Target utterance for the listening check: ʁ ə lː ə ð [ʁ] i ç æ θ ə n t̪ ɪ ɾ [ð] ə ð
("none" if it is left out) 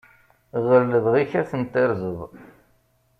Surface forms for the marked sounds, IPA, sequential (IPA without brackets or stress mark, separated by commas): ʁ, z